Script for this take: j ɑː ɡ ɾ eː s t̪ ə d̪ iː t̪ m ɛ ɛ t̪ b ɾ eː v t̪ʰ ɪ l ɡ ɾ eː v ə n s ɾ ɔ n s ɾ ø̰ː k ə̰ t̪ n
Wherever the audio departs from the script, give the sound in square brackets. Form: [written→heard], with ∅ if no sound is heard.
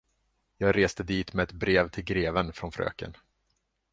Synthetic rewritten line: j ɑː ɡ ɾ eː s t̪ ə d̪ iː t̪ m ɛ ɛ t̪ b ɾ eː v t̪ʰ ɪ l ɡ ɾ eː v ə n [s→f] ɾ ɔ n [s→f] ɾ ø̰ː k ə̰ [t̪→∅] n